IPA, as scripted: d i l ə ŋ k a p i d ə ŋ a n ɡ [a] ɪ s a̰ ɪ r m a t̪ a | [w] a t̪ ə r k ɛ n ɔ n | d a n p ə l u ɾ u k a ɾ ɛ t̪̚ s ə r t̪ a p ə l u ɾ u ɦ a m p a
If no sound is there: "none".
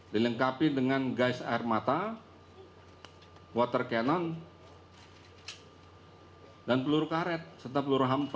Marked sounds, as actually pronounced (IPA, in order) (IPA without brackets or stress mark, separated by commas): a, w